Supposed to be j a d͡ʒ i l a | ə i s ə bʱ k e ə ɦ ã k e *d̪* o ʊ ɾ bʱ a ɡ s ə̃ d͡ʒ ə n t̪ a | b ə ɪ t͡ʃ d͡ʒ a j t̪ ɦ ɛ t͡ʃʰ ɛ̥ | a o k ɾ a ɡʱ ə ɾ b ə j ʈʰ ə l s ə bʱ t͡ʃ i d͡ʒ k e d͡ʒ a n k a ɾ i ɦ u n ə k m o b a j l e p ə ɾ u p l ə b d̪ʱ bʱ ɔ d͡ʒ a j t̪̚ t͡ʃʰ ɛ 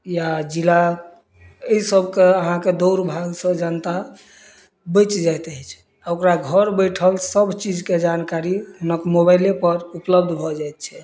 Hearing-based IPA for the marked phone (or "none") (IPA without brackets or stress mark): d̪